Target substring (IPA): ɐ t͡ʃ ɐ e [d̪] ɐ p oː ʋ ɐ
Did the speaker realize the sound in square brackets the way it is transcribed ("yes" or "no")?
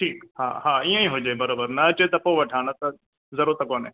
no